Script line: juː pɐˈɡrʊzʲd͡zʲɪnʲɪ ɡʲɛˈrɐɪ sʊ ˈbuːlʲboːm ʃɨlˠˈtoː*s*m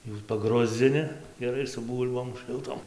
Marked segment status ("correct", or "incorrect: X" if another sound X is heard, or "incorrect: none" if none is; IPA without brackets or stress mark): incorrect: none